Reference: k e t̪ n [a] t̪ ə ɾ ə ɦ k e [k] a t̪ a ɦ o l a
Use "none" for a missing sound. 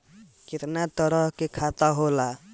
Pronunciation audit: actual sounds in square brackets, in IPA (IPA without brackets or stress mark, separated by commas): a, kʰ